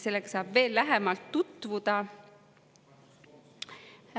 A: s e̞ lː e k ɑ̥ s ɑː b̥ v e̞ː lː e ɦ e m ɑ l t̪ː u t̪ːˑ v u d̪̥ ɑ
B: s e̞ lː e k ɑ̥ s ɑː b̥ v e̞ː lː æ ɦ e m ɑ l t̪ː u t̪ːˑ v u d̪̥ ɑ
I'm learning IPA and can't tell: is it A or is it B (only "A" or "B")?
B